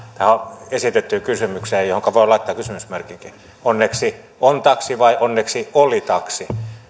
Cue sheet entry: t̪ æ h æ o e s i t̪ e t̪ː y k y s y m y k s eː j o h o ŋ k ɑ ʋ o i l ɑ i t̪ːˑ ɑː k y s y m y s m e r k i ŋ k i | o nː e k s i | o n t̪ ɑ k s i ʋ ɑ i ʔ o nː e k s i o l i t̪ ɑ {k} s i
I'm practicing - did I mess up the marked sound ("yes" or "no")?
no